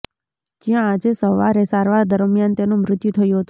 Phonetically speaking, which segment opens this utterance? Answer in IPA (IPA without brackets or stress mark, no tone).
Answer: d͡ʒ